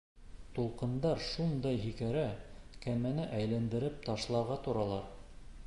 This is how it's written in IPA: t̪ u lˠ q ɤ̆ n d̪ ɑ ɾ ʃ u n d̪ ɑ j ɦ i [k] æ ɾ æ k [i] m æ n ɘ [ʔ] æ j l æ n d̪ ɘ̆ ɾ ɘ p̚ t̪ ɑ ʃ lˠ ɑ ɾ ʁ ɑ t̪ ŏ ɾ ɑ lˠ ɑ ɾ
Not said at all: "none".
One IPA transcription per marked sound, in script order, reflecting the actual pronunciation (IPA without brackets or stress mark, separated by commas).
k, æ, ʔ